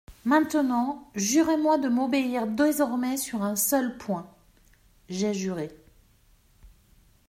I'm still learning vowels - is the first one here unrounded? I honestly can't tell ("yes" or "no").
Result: yes